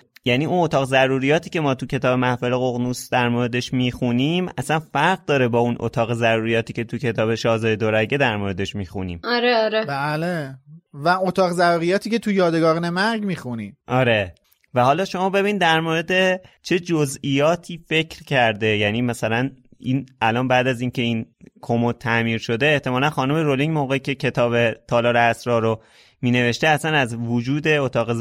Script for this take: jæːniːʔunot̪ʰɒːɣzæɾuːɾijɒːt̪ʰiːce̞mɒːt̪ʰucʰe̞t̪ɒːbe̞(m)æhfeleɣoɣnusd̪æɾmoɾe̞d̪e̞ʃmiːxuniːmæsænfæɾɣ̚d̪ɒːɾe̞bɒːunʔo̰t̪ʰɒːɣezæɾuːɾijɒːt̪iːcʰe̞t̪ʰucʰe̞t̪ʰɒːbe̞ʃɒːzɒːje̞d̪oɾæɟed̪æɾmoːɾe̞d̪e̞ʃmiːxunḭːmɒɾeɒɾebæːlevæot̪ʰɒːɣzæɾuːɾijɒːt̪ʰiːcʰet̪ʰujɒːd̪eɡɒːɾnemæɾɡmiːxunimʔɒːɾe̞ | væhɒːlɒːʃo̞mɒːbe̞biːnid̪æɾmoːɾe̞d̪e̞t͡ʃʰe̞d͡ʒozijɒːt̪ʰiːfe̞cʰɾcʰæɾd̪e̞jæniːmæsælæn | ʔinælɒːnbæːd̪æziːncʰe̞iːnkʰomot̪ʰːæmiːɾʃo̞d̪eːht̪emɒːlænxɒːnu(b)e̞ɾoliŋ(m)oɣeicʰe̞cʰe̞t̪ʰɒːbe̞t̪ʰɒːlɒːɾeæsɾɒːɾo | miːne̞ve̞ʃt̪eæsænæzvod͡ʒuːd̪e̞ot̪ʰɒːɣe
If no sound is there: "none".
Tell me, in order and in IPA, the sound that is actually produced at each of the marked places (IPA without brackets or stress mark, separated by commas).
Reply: m, m, m